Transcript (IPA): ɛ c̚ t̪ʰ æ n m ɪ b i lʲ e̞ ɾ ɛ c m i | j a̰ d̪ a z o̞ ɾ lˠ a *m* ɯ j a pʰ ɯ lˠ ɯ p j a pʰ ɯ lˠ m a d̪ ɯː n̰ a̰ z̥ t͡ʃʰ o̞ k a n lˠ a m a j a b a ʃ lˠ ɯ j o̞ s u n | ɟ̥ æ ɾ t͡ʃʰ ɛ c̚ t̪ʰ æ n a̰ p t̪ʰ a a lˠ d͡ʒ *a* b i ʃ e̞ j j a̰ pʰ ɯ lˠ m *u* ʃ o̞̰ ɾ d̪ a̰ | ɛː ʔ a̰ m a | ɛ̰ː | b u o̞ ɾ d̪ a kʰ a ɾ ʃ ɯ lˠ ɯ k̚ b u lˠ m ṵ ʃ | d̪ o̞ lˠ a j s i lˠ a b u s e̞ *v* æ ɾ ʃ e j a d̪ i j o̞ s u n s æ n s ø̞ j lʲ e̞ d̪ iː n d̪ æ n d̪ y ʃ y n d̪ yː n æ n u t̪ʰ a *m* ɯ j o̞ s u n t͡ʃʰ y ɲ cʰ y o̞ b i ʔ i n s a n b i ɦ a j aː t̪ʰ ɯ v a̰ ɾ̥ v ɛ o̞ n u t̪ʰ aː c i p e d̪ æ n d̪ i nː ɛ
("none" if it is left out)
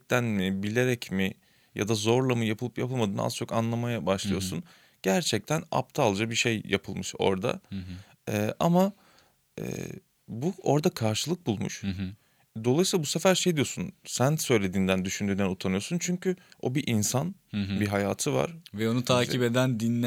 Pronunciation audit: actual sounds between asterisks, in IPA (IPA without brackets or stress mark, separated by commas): m, a, ɯ, f, n